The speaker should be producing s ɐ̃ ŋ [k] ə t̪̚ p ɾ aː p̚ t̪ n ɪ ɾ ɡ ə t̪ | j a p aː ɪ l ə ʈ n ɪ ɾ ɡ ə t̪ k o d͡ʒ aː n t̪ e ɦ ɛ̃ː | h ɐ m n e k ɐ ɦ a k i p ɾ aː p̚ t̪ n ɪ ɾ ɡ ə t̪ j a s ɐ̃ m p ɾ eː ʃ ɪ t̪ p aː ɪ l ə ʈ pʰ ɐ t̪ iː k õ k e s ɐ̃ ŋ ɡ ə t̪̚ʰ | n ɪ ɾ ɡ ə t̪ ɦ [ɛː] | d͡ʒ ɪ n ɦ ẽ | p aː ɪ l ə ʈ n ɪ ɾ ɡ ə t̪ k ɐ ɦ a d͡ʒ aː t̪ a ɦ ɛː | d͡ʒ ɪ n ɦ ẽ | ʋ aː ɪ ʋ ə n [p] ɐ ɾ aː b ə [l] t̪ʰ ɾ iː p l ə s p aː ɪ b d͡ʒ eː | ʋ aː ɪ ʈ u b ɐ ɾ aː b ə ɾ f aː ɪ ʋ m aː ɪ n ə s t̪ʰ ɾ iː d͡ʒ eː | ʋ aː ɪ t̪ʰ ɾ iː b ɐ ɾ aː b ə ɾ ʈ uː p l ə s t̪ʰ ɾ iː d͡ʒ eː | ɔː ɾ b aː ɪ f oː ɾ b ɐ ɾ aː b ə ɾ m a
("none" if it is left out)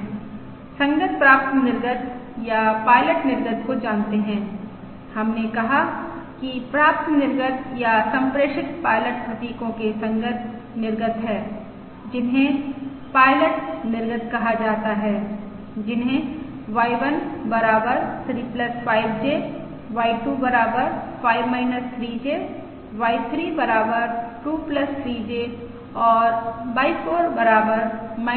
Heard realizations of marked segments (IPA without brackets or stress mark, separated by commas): ɡ, ɛː, b, ɾ